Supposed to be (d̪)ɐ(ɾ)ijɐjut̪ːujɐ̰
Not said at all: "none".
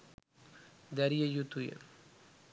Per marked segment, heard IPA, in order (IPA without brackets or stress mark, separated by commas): d̪, ɾ